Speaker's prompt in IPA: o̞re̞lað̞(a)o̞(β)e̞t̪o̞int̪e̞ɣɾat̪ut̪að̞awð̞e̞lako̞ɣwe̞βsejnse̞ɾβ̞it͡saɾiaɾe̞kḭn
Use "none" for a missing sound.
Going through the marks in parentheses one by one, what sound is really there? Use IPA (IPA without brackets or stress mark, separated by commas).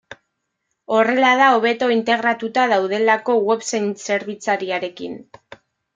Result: a, β